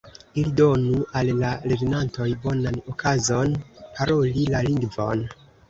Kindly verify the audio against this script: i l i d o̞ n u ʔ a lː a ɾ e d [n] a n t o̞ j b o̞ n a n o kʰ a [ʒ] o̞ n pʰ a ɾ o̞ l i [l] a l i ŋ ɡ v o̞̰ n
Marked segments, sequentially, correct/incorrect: correct, incorrect: z, correct

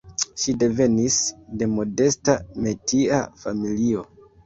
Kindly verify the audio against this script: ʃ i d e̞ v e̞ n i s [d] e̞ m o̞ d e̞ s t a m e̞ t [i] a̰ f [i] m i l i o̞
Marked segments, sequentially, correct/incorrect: correct, correct, incorrect: a

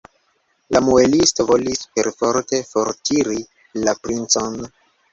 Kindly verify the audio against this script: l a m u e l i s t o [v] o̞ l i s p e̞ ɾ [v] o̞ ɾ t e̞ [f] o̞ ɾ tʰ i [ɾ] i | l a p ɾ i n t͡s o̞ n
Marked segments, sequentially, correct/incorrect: correct, incorrect: f, correct, correct

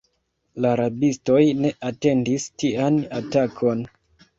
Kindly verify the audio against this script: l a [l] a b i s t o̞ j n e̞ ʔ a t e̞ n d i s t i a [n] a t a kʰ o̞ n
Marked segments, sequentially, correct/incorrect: incorrect: ɾ, correct

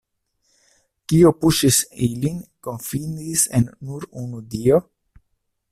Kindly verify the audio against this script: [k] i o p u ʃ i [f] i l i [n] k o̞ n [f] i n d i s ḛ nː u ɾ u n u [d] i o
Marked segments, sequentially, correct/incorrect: correct, incorrect: s, correct, correct, correct

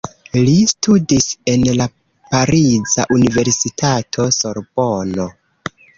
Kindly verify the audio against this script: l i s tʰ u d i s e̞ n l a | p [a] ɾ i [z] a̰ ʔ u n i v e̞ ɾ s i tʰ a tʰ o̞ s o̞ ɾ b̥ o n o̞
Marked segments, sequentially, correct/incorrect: correct, correct

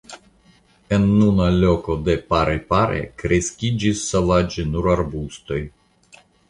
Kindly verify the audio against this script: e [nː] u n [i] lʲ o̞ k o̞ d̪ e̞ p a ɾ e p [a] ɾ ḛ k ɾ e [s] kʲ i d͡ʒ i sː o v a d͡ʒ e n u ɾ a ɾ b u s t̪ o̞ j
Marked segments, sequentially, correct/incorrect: correct, incorrect: a, correct, correct

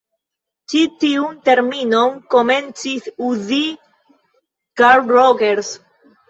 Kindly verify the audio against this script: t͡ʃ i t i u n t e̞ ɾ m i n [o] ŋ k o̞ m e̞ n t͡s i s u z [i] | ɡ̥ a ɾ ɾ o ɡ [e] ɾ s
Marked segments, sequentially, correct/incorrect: correct, correct, correct

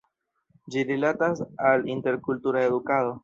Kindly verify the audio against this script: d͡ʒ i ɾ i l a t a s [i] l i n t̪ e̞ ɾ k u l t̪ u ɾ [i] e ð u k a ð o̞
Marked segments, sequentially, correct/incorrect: incorrect: a, incorrect: a

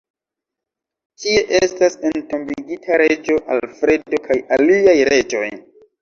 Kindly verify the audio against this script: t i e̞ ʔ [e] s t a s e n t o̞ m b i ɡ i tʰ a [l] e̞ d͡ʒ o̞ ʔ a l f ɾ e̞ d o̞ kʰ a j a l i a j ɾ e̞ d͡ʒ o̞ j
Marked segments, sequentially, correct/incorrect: correct, incorrect: ɾ

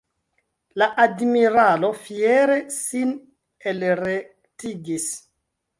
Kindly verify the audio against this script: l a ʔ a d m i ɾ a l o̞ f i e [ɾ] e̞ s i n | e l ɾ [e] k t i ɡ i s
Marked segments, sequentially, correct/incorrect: correct, correct

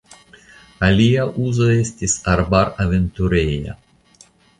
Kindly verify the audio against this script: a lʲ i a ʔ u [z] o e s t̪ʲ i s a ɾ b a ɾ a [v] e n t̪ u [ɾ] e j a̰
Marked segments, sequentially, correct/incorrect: correct, correct, correct

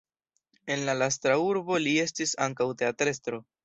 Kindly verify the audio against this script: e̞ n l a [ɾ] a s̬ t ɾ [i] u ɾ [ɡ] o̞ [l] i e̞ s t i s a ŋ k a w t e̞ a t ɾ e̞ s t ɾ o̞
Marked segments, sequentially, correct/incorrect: incorrect: l, incorrect: a, incorrect: b, correct

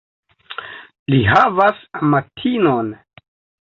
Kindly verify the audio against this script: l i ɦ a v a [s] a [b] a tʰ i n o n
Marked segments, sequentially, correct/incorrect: correct, incorrect: m

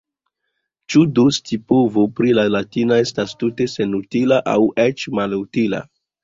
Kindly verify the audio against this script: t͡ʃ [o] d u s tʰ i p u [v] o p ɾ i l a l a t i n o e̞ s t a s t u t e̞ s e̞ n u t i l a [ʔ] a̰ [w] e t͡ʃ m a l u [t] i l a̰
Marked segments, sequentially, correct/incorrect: incorrect: u, correct, correct, correct, correct

